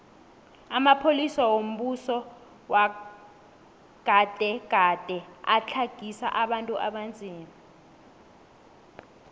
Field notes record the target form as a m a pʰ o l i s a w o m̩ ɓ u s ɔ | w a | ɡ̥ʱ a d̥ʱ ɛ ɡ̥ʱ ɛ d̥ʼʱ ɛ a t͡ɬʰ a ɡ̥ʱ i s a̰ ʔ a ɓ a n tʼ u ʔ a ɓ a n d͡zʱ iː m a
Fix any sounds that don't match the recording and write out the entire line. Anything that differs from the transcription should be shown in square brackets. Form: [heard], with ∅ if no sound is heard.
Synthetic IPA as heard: a m a pʰ o l i s a w o m̩ ɓ u s ɔ | w a | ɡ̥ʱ a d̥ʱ ɛ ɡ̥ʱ [a] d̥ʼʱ ɛ a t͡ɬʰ a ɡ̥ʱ i s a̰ ʔ a ɓ a n tʼ u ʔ a ɓ a n d͡zʱ iː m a